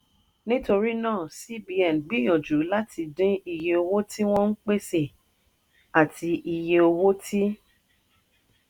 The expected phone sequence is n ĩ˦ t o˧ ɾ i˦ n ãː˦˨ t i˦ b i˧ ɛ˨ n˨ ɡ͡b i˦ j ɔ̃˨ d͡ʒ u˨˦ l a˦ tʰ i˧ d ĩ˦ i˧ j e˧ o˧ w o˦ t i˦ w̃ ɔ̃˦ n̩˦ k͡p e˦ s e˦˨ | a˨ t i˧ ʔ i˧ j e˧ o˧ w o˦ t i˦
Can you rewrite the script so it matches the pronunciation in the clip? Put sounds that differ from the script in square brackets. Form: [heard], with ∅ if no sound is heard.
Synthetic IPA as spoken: n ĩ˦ t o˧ ɾ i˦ n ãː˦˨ [s] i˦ b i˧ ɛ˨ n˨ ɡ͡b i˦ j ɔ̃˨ d͡ʒ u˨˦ l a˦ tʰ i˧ d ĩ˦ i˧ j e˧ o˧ w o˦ t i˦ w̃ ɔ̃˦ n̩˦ k͡p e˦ s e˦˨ | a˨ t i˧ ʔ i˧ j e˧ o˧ w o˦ t i˦